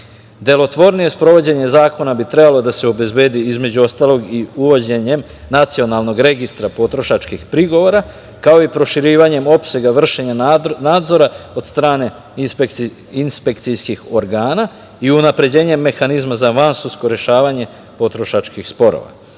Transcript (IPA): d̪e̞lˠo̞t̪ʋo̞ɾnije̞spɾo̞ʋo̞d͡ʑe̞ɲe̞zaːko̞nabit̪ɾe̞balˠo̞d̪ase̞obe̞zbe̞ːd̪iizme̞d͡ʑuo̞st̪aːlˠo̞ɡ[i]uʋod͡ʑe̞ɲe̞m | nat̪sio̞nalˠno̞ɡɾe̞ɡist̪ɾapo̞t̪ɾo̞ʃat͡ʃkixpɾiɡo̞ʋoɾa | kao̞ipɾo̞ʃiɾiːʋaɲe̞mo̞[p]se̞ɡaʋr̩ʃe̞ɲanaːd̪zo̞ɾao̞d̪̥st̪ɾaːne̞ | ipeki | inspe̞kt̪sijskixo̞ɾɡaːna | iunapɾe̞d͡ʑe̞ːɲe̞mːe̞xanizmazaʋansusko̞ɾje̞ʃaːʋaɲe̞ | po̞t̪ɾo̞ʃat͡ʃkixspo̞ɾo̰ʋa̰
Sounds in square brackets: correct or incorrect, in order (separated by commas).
correct, correct